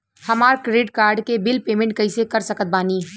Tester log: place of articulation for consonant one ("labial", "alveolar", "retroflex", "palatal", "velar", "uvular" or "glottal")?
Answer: glottal